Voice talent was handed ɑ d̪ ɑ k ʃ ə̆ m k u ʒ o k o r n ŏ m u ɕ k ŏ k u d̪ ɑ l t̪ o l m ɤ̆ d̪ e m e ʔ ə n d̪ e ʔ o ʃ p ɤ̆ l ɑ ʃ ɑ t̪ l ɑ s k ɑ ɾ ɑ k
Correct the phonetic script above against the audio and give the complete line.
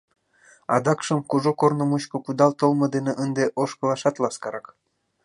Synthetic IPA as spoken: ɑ d̪ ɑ k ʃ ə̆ m k u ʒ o k o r n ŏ m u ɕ k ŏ k u d̪ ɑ l t̪ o l m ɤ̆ d̪ e n e ʔ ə n d̪ e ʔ o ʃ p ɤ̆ l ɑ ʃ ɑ t̪ l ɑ s k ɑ ɾ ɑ k